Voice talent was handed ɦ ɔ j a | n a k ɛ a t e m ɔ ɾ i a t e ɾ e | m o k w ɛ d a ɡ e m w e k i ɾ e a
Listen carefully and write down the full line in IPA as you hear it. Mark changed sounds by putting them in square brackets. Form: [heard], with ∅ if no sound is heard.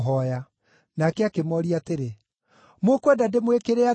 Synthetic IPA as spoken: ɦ ɔ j a | n a k ɛ a [k] e m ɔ ɾ i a t e ɾ e | m o k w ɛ d a [d] e m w e k [e] ɾ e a